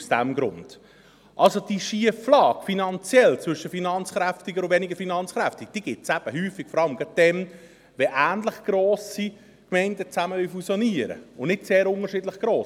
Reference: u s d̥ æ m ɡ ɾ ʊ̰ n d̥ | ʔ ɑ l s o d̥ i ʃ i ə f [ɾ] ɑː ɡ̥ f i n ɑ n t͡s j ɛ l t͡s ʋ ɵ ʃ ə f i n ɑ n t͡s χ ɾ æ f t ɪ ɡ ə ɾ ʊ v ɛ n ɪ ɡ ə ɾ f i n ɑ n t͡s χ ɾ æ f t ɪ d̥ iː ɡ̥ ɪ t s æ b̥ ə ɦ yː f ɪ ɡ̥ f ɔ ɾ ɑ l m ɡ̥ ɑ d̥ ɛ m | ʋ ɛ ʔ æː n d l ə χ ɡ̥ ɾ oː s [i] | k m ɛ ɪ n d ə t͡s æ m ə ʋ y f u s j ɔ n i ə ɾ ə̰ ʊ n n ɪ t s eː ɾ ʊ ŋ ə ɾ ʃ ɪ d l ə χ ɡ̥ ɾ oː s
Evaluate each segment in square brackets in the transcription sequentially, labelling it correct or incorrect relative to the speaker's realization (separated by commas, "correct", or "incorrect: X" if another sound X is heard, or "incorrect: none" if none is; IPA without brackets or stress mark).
incorrect: l, correct